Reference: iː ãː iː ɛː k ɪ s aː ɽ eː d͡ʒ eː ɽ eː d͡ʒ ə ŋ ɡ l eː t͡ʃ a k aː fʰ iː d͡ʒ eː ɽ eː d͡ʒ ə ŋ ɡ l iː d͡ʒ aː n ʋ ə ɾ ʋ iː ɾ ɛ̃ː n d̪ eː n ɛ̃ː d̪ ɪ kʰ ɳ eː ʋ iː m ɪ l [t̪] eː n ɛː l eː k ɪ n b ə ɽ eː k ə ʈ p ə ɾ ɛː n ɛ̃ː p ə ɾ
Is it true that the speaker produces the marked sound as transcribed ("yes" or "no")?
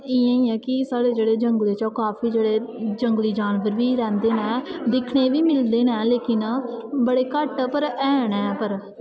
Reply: no